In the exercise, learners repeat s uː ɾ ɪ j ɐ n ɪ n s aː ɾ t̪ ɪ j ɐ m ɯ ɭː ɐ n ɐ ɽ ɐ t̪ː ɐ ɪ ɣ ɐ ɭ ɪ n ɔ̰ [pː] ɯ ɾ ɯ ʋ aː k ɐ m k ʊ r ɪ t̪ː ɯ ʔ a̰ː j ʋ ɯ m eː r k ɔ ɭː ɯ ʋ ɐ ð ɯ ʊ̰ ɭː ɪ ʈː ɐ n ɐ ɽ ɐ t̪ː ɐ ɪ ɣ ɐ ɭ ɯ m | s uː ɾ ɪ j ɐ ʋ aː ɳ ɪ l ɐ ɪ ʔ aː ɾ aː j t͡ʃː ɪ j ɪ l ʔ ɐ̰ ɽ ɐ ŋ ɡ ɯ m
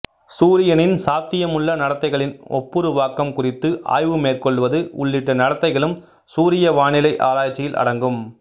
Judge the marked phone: correct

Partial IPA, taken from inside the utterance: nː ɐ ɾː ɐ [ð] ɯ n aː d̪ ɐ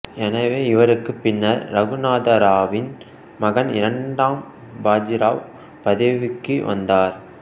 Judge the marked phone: incorrect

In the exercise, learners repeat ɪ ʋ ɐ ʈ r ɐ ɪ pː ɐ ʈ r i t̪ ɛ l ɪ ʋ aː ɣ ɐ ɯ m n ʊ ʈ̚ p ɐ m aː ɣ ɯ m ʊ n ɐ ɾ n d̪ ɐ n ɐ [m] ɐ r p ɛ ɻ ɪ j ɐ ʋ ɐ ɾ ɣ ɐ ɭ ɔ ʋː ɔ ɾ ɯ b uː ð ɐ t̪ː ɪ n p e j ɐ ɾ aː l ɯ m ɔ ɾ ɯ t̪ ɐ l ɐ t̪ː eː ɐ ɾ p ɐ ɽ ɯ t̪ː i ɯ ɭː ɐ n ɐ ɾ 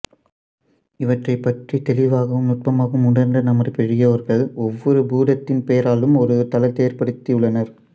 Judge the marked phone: correct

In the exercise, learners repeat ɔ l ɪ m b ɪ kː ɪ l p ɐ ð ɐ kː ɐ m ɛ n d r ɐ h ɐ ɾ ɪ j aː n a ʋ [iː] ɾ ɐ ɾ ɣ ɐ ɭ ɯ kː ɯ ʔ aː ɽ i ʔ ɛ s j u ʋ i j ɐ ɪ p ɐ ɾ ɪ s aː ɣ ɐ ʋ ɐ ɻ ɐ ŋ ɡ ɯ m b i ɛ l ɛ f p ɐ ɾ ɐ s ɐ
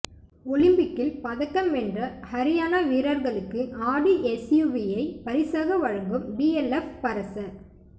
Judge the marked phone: correct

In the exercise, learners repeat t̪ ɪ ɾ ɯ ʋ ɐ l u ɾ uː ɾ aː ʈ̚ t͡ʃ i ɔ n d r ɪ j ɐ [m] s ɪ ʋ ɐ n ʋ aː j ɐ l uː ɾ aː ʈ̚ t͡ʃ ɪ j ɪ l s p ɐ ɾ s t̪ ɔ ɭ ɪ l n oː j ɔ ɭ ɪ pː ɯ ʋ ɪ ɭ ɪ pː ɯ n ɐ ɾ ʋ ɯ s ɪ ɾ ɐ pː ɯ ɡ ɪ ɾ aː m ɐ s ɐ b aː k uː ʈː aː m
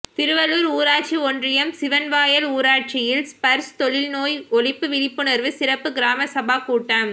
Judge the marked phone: correct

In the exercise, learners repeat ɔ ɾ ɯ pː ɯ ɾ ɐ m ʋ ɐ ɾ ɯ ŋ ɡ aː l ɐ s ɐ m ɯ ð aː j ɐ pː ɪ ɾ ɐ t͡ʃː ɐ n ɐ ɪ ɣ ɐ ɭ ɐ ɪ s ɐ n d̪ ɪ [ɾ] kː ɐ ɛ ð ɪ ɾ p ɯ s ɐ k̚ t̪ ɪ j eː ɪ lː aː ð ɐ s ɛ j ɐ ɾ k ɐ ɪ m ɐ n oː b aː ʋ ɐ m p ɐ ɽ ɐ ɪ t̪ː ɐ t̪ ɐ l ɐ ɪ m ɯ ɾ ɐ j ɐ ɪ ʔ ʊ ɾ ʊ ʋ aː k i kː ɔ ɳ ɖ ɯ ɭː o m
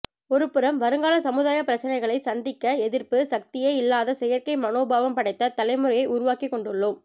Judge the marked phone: incorrect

